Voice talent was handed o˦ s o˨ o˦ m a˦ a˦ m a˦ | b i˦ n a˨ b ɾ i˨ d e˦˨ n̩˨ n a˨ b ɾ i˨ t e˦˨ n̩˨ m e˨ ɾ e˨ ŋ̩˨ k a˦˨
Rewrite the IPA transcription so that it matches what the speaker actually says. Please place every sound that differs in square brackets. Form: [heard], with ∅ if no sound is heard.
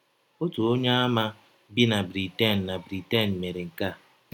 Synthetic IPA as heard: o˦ [t] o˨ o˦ [ɲ] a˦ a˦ m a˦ | b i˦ n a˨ b ɾ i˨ [t] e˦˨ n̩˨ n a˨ b ɾ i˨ t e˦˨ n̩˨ m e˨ ɾ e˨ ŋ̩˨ k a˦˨